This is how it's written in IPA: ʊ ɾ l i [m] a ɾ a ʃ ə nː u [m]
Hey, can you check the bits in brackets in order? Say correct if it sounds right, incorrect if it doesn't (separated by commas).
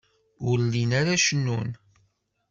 incorrect, incorrect